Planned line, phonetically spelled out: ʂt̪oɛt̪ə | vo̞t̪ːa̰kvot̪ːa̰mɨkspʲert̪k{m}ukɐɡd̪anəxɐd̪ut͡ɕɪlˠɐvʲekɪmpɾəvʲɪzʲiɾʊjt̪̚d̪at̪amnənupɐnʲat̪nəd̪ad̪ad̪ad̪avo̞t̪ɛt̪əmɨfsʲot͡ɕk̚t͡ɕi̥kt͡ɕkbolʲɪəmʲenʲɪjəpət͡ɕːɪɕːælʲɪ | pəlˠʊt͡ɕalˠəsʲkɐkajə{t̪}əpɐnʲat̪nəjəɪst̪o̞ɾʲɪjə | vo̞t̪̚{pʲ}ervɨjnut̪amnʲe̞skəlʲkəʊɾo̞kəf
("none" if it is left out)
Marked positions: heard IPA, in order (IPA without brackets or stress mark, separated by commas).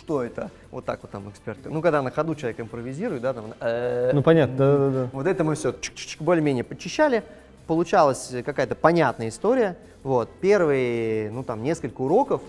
n, t̪, pʲ